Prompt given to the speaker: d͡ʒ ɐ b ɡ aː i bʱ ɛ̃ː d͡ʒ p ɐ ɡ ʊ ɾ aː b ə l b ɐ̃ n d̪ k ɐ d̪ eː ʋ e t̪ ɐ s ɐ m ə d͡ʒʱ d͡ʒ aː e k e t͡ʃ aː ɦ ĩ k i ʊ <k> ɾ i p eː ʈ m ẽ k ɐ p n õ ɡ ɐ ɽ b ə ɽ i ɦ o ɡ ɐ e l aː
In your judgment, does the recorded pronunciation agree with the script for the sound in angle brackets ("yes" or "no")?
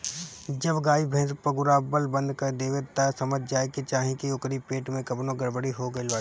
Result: yes